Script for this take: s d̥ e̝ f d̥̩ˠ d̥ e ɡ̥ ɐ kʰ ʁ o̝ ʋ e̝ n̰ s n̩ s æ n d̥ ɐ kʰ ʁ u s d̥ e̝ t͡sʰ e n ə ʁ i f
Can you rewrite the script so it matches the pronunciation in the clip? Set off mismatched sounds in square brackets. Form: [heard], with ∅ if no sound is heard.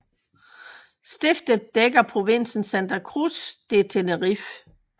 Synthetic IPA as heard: s d̥ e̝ f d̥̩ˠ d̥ e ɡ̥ ɐ [pʰ] ʁ o̝ ʋ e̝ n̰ s n̩ s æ n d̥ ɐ kʰ ʁ u s d̥ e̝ t͡sʰ e n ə ʁ i f